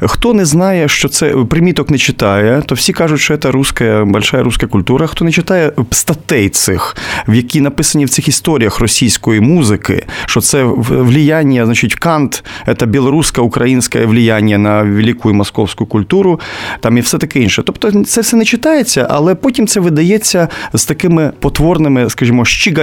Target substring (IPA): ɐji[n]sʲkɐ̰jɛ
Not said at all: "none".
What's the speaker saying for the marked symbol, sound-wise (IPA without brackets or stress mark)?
n